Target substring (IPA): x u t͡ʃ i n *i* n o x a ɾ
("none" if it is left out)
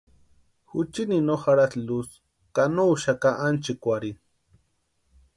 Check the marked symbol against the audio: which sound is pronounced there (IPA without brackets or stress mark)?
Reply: i